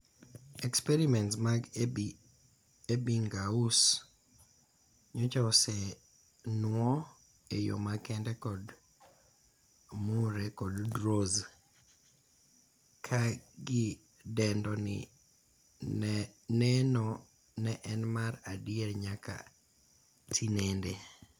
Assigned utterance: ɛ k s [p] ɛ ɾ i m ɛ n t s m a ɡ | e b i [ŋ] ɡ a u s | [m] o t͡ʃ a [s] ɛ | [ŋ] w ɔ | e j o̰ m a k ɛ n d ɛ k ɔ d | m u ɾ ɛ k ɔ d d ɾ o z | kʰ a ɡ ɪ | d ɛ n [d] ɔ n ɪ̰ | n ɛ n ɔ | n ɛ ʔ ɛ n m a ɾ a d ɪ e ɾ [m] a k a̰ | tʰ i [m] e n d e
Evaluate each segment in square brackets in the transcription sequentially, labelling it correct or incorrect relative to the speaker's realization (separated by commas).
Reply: correct, correct, incorrect, correct, incorrect, correct, incorrect, incorrect